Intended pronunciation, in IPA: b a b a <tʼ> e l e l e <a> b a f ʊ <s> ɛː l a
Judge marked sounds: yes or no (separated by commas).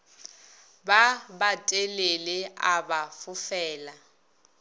yes, yes, no